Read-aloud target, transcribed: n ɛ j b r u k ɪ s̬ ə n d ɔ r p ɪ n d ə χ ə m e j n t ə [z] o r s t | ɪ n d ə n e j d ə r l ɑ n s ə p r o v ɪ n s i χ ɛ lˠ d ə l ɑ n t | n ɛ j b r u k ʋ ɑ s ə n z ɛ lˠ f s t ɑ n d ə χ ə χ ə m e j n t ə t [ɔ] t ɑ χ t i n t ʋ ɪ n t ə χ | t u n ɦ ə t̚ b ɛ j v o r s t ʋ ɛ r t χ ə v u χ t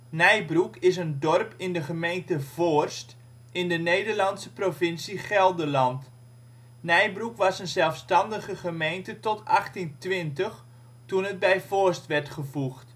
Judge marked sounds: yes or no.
no, yes

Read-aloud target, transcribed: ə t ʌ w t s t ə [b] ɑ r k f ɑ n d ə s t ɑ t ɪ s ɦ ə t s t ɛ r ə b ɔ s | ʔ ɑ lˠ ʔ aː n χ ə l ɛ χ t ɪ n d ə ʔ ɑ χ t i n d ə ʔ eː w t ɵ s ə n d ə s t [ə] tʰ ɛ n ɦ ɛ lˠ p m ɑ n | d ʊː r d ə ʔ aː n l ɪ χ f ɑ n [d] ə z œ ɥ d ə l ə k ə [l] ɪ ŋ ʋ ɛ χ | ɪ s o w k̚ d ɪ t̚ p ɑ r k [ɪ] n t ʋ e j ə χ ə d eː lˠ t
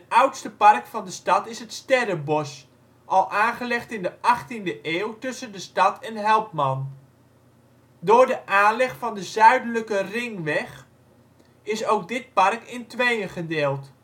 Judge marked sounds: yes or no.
no, no, yes, no, yes

